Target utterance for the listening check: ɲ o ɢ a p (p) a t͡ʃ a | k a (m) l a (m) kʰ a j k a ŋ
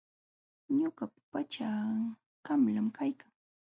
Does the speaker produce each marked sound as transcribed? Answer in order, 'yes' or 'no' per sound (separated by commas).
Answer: yes, yes, yes